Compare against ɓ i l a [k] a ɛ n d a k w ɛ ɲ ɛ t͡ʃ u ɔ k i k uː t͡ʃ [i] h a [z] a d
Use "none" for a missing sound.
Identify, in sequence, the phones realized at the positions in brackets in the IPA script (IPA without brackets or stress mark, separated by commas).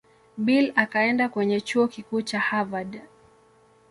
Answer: k, a, v